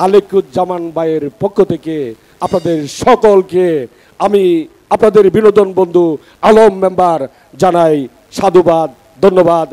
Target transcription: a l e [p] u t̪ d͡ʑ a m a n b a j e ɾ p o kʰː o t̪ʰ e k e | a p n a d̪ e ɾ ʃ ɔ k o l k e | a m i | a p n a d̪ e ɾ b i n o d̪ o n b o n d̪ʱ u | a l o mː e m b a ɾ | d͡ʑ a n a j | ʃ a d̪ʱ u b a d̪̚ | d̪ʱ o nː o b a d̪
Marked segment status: incorrect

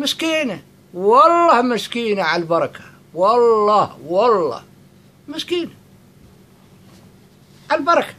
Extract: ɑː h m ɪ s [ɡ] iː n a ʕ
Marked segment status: incorrect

